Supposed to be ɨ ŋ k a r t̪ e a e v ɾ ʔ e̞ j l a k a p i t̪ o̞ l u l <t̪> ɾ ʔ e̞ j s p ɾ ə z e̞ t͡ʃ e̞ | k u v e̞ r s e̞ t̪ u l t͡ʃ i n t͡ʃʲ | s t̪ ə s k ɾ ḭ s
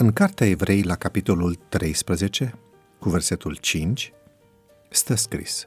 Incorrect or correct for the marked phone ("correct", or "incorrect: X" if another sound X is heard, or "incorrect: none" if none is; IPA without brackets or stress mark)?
correct